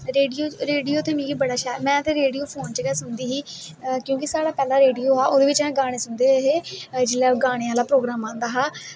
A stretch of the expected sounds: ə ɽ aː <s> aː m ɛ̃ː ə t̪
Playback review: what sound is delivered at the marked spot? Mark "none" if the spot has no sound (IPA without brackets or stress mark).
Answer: ʃ